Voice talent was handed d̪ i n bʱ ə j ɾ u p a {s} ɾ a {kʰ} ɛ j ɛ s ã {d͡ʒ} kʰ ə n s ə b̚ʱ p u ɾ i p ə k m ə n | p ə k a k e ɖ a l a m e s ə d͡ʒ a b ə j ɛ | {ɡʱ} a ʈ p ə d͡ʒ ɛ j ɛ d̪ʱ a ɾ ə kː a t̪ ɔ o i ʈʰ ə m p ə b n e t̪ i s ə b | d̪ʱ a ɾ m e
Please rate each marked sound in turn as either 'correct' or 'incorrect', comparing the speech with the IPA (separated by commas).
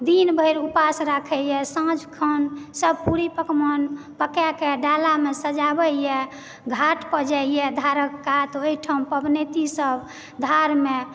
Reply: correct, correct, correct, correct